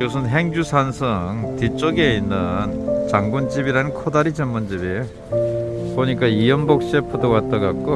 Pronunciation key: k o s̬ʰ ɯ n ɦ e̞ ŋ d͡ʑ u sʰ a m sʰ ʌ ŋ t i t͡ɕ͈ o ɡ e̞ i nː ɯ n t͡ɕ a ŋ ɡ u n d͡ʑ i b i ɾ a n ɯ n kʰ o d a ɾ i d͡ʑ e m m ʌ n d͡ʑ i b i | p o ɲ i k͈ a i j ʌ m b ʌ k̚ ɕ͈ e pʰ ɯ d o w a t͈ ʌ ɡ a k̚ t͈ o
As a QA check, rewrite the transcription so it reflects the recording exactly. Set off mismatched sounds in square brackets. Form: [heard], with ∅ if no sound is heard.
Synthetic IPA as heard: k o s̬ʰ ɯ n ɦ e̞ ŋ d͡ʑ u sʰ a [n] sʰ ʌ ŋ t i t͡ɕ͈ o ɡ e̞ i nː ɯ n t͡ɕ a ŋ ɡ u n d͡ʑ i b i ɾ a n ɯ n kʰ o d a ɾ i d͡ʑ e m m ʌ n d͡ʑ i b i | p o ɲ i k͈ a i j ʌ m b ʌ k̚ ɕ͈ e pʰ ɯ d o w a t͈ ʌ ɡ a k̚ [k͈] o